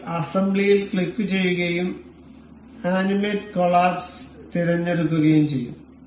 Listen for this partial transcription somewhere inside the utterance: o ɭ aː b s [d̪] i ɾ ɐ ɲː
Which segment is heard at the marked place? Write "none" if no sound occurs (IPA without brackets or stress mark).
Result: t̪